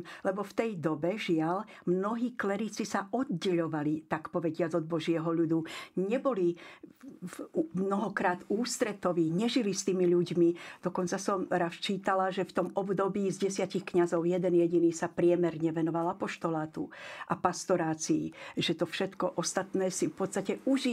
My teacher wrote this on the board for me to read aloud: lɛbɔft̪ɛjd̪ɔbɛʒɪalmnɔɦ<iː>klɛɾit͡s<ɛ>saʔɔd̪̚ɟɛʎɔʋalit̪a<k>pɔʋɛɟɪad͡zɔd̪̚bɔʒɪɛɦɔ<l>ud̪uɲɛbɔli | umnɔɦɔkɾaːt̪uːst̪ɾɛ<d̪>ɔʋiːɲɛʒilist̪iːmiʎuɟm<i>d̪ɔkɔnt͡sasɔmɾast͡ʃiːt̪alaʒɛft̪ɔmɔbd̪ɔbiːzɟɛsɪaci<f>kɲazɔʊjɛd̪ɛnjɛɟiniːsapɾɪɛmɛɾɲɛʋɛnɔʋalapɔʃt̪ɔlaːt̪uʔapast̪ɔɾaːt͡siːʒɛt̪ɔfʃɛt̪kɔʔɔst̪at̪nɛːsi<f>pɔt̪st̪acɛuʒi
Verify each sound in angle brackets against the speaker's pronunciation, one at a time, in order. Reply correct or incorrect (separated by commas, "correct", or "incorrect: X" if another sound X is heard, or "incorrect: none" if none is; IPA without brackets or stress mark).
correct, incorrect: i, correct, incorrect: ʎ, incorrect: t̪, correct, incorrect: x, correct